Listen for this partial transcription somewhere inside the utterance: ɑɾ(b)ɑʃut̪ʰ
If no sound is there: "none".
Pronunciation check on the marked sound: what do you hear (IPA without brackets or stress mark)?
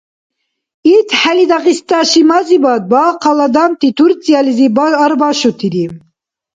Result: b